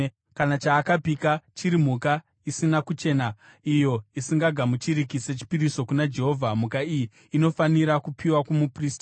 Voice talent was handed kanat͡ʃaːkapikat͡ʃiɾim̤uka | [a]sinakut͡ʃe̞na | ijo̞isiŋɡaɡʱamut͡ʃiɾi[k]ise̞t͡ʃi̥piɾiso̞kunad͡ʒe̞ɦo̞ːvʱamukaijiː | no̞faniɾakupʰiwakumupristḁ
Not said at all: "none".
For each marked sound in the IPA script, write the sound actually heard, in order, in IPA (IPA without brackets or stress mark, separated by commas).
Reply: i, k